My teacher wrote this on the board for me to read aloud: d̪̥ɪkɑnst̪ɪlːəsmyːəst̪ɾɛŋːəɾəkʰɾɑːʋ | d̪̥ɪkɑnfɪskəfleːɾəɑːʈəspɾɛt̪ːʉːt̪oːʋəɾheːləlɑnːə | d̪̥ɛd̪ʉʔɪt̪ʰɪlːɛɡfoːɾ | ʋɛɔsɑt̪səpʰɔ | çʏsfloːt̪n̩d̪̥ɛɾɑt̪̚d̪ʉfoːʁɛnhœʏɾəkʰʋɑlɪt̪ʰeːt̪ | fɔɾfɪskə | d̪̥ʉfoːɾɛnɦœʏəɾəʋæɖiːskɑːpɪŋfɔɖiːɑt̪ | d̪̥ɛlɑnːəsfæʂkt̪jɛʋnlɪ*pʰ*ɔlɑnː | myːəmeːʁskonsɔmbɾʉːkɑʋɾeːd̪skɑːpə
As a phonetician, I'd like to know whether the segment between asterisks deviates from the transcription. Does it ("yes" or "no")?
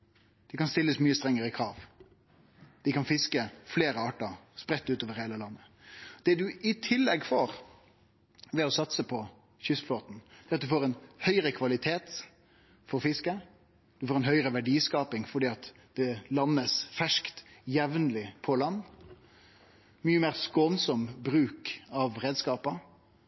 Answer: no